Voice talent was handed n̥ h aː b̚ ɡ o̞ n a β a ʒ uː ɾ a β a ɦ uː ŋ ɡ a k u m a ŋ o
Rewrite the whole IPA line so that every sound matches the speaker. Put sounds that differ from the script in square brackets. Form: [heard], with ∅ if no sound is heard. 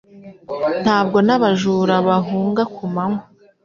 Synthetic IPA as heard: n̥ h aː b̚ ɡ o̞ n a β a ʒ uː ɾ a β a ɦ uː ŋ ɡ a k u m a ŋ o